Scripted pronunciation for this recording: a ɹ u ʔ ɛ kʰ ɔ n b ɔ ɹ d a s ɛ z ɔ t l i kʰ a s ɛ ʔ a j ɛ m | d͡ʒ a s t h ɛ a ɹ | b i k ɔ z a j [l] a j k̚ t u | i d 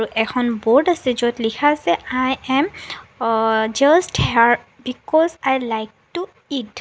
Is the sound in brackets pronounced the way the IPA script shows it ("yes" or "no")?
yes